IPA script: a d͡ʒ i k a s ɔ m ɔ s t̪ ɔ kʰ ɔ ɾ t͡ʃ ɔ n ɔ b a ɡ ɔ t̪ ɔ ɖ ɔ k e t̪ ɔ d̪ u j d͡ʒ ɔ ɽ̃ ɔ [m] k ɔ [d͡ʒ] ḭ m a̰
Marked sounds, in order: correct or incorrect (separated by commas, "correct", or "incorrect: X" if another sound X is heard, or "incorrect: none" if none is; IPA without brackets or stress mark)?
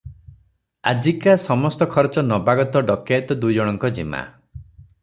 incorrect: ŋ, correct